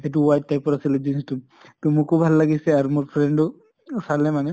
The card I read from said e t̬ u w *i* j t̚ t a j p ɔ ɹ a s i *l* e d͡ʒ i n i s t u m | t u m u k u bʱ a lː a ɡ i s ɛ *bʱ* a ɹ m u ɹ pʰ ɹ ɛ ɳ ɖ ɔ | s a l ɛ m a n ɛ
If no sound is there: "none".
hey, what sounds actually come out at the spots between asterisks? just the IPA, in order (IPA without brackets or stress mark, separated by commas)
a, l, none